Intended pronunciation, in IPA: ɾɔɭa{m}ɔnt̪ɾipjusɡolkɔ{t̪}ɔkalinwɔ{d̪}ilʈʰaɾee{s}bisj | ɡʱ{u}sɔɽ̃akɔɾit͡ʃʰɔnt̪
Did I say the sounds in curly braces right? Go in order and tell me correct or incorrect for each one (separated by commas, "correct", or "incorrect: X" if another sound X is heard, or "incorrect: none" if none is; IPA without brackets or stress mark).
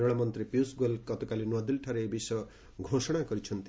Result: correct, correct, correct, incorrect: none, incorrect: o